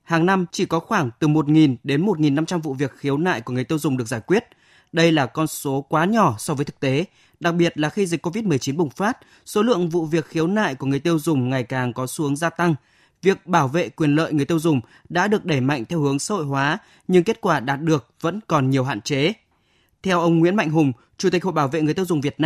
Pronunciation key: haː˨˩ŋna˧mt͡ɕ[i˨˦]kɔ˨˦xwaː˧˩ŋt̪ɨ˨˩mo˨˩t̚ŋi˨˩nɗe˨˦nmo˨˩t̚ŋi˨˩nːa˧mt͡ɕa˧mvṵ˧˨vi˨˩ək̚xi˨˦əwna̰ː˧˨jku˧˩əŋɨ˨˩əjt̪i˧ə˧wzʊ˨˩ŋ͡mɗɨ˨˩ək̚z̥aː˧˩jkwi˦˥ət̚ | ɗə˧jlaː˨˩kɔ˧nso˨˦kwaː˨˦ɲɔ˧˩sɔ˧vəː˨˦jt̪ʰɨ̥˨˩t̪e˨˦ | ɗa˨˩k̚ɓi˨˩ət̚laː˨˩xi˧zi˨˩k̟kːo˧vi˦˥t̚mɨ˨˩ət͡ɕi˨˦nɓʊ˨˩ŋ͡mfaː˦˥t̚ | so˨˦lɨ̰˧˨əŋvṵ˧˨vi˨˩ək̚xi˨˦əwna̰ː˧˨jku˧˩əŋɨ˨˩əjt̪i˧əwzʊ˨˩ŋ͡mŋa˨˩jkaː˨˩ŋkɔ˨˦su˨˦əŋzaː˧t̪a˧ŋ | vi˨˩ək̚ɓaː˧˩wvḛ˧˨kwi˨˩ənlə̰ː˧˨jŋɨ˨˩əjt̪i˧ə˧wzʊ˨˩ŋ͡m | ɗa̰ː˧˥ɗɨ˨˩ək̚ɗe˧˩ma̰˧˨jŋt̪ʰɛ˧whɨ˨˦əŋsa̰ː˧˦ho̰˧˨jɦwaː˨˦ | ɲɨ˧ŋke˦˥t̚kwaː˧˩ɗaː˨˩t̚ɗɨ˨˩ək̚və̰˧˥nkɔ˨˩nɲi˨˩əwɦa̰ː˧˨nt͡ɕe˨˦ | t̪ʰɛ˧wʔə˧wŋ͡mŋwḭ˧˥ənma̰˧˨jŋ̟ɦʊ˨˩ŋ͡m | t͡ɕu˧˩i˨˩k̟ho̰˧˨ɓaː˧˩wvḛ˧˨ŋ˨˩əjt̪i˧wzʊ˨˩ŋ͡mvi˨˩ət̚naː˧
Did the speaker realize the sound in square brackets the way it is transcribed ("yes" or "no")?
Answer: no